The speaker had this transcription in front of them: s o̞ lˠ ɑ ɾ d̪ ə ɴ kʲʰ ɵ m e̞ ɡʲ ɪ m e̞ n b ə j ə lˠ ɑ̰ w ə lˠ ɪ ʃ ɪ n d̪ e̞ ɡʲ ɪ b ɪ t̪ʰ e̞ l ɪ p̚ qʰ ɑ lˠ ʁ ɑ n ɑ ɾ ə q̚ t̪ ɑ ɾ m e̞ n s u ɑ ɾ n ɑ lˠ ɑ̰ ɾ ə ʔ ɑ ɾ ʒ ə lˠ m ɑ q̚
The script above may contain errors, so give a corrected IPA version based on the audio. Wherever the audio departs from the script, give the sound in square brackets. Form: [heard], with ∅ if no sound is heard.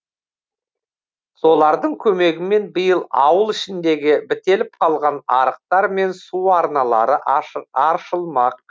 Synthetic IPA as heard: s o̞ lˠ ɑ ɾ d̪ ə ɴ kʲʰ ɵ m e̞ ɡʲ ɪ m e̞ n b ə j ə lˠ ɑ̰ w ə lˠ ɪ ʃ ɪ n d̪ e̞ ɡʲ ɪ b ɪ [t̪] e̞ l ɪ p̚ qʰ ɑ lˠ ʁ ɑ n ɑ ɾ ə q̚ t̪ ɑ ɾ m e̞ n s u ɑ ɾ n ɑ lˠ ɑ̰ ɾ ə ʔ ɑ ɾ [ʃ] ə lˠ m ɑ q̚